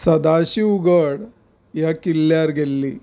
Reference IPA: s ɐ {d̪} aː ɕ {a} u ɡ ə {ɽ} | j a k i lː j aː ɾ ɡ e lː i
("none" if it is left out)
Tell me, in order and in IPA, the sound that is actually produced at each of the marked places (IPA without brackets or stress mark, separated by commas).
d̪, i, ɽ